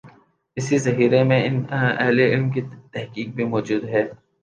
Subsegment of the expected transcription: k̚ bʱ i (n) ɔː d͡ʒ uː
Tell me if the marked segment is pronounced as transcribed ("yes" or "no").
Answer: no